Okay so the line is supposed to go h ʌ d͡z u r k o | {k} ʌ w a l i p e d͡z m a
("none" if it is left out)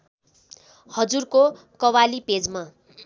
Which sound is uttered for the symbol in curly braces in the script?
k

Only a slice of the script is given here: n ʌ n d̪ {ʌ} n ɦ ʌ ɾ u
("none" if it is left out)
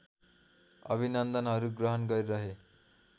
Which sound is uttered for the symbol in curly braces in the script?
ʌ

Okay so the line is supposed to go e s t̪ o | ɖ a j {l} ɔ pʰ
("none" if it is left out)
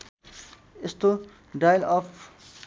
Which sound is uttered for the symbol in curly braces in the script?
l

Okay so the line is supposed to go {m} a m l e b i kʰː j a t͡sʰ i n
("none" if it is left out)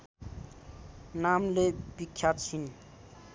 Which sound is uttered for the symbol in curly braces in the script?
n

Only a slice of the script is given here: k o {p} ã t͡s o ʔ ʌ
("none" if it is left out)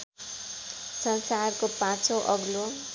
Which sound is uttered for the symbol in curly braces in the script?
p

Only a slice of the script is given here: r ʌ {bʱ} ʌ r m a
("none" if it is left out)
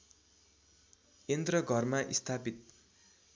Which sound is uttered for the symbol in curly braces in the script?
ɡʱ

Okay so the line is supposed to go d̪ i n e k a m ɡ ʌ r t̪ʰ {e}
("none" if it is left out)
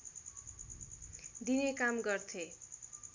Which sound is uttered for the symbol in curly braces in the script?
e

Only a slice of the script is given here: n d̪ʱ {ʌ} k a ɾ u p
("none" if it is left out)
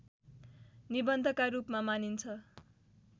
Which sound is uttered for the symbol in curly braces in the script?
ʌ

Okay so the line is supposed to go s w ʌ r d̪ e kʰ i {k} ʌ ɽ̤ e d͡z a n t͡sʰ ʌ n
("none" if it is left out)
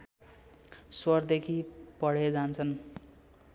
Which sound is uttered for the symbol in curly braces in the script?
p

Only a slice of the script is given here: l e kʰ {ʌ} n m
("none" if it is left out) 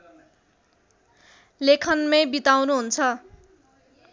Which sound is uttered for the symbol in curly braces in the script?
ʌ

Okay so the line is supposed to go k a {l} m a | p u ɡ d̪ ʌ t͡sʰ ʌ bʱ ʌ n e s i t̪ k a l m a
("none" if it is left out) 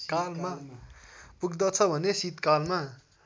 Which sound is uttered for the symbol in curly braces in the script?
l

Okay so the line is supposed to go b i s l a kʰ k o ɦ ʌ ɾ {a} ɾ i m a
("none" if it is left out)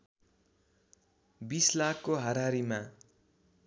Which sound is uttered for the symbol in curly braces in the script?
a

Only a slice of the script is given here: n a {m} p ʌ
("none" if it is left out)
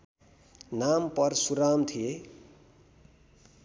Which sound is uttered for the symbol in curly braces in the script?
m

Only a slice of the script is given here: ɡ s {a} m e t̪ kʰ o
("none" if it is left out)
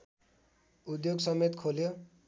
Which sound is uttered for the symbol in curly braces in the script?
ʌ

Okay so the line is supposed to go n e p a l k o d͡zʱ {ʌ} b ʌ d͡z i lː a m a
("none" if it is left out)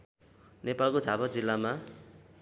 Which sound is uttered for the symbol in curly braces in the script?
a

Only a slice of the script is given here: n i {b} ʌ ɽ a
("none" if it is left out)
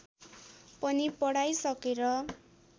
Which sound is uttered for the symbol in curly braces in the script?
p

